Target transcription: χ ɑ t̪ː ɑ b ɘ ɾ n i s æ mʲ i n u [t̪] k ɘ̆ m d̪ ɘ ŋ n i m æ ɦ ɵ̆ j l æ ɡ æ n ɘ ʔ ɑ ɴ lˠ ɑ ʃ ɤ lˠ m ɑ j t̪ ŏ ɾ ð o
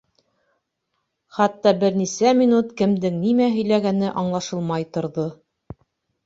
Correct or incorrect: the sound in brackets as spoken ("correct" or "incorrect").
correct